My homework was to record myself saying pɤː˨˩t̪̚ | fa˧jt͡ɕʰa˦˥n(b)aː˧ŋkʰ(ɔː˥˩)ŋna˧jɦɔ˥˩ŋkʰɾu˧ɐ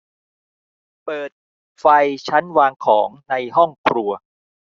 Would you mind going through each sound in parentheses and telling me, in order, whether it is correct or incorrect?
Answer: incorrect, incorrect

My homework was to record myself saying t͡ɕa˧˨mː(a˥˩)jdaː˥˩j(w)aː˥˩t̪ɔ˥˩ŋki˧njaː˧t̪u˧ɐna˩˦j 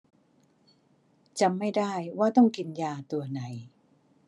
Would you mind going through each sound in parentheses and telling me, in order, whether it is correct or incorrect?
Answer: correct, correct

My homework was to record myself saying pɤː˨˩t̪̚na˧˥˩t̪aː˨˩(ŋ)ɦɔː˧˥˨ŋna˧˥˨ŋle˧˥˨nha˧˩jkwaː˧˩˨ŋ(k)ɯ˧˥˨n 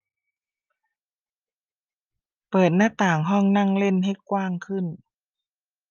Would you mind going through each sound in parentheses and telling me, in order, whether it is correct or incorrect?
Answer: correct, incorrect

